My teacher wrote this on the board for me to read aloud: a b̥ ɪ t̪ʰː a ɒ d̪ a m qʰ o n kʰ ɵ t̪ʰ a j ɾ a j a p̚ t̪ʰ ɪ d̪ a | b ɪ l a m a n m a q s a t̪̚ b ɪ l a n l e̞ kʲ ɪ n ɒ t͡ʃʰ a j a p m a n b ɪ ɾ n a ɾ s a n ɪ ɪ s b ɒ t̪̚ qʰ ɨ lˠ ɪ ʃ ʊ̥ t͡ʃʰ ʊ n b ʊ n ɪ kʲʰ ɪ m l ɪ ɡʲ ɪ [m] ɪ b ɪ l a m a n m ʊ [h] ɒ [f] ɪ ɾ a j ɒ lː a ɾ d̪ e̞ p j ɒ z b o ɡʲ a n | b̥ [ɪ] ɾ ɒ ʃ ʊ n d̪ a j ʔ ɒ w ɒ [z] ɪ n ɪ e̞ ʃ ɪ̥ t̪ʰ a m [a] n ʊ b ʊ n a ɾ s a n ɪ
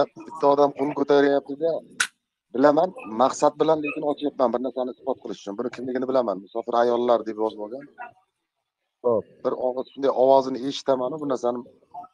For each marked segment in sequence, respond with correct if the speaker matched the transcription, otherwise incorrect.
incorrect: n, incorrect: s, correct, correct, correct, correct

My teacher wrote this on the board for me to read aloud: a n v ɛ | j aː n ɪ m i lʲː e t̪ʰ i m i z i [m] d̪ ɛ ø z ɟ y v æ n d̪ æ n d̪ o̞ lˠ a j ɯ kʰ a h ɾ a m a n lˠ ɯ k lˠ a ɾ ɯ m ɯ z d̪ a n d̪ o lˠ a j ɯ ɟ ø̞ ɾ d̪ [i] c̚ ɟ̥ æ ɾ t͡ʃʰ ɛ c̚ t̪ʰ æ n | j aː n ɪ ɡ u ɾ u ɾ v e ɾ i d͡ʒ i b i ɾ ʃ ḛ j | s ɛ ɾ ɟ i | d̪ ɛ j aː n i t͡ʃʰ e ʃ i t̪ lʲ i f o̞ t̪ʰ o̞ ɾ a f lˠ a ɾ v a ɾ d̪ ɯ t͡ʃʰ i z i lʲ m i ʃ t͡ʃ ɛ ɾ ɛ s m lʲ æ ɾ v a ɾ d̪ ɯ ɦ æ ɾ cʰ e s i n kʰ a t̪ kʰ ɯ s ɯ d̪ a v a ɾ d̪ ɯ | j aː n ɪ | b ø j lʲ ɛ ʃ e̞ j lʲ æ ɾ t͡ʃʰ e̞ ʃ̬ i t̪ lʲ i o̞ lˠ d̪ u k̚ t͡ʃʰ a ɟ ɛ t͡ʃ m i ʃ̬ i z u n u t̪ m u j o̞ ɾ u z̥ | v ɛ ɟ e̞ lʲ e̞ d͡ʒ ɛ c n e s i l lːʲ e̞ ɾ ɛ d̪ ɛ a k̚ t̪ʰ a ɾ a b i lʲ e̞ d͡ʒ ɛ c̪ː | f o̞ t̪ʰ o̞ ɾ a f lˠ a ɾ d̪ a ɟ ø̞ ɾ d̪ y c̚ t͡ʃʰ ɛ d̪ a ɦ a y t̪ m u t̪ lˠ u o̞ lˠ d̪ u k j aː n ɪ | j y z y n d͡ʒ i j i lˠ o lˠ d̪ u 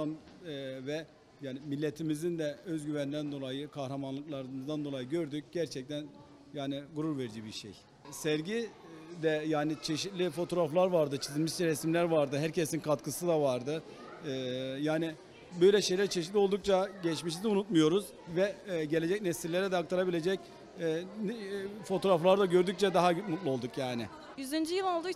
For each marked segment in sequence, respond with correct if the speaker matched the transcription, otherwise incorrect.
incorrect: n, incorrect: y

